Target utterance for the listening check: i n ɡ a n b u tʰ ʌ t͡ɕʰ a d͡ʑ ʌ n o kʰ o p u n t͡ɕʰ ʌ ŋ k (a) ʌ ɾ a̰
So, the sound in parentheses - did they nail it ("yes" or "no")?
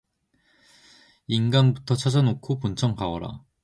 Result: yes